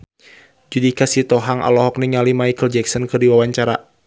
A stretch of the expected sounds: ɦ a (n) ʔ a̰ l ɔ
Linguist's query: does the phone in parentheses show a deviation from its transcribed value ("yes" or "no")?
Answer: yes